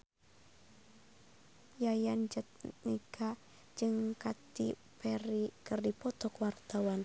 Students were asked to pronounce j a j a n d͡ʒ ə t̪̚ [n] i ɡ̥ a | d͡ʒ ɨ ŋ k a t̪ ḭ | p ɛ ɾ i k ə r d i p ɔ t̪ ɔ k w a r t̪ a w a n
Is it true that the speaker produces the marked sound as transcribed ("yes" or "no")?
yes